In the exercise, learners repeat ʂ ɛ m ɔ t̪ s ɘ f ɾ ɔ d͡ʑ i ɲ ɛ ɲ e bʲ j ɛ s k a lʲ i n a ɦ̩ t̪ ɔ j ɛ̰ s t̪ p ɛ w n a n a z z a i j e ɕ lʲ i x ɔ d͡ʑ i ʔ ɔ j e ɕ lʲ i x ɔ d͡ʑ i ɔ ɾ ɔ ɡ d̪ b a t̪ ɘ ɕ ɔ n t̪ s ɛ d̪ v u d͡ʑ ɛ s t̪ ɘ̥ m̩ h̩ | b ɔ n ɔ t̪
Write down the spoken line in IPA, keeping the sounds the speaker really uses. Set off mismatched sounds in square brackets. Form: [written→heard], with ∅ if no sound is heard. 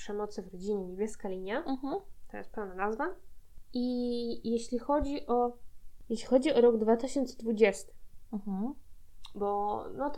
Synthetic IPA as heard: ʂ ɛ m ɔ t̪ s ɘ [f→v] ɾ ɔ d͡ʑ i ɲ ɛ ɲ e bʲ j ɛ s k a lʲ i [n→ɲ] a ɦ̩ t̪ ɔ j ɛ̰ s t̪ p ɛ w n a n a z [z→v] a i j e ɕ lʲ i x ɔ d͡ʑ i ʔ ɔ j e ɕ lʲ i x ɔ d͡ʑ i ɔ ɾ ɔ ɡ d̪ [b→v] a t̪ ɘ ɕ ɔ n t̪ s ɛ d̪ v u d͡ʑ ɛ s t̪ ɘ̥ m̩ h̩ | b ɔ n ɔ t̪